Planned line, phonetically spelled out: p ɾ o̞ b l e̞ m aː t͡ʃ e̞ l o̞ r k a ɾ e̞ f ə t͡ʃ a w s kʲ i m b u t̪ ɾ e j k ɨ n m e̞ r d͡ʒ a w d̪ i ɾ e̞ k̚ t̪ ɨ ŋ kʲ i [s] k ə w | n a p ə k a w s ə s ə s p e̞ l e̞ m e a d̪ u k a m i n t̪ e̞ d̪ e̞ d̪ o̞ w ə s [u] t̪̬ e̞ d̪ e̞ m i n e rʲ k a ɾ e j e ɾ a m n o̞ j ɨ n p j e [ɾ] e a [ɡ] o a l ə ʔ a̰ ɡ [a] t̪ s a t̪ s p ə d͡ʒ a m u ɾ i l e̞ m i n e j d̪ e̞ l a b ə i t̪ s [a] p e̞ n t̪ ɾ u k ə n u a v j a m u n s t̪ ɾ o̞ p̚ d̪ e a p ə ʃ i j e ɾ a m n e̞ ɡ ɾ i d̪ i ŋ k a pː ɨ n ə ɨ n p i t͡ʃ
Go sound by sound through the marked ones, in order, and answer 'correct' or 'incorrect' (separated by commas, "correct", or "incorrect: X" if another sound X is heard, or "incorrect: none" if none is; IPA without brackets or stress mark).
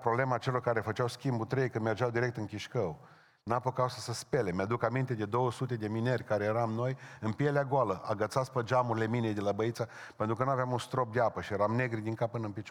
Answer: incorrect: ʃ, correct, incorrect: l, correct, incorrect: ə, correct